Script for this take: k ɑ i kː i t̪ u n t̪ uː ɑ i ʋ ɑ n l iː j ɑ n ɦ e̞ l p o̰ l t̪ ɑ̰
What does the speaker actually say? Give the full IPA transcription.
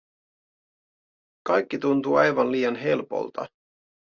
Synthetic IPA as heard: k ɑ j kː i t̪ u n t̪ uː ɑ j ʋ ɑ n l iː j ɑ n ɦ e̞ l p o̰ l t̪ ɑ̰

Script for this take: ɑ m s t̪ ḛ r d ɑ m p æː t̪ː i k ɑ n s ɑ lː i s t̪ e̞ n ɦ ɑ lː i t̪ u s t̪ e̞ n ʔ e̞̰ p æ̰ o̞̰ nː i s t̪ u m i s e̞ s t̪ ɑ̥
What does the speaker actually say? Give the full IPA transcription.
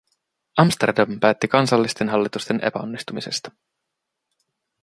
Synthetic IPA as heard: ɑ m s t̪ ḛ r d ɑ m p æː t̪ː i k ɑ n s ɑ lː i s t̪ e̞ n ɦ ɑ lː i t̪ u s t̪ e̞ n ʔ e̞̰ p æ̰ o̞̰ nː i s t̪ u m i s e̞ s t̪ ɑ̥

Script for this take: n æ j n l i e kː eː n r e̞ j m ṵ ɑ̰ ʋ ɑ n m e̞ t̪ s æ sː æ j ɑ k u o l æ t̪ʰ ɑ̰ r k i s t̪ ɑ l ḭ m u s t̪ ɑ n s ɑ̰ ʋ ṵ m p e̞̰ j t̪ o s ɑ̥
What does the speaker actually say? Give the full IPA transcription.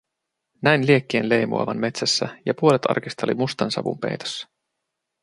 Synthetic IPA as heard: n æ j n l i e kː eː n l e̞ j m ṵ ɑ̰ ʋ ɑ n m e̞ t̪ s æ sː æ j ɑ p u o l e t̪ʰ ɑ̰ r k i s t̪ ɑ l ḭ m u s t̪ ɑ n s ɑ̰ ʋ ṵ m p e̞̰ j t̪ o sː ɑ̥

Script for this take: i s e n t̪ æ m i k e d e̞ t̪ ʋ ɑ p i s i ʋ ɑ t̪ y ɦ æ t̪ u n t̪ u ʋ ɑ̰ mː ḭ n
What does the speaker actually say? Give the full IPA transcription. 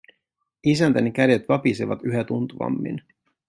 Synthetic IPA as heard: i s æ n t̪ æ n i k æ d e̞ t̪ ʋ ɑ p i s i ʋ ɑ t̪ y ɦ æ t̪ u n t̪ u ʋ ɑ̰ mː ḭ n

